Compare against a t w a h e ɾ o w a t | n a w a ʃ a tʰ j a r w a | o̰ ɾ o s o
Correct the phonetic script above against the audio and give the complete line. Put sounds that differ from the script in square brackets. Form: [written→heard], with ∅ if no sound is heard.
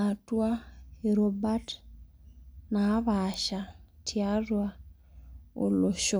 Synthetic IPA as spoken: a t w a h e ɾ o [w→b] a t | n a [w→β] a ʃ a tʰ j a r w a | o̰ [ɾ→l] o [s→ʃ] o